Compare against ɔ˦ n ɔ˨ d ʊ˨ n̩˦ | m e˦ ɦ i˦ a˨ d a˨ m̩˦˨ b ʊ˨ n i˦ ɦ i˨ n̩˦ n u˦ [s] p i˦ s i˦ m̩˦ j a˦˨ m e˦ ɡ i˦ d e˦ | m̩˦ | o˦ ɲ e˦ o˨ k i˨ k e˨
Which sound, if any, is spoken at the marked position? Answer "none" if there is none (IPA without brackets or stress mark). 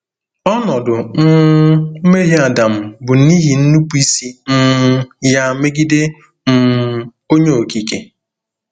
none